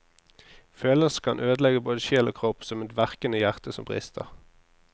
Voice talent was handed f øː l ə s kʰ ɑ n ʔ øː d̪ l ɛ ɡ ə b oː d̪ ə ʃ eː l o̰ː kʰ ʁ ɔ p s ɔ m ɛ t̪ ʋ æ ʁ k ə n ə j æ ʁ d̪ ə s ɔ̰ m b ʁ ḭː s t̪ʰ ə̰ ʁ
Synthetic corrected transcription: f øː l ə s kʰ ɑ n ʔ øː d̪ l ɛ ɡ ə b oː d̪ ə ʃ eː l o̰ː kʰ ʁ ɔ p s ɔ m ɛ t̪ ʋ æ ʁ k ə n ə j æ ʁ t̪ ə s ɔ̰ m b ʁ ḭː s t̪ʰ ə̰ ʁ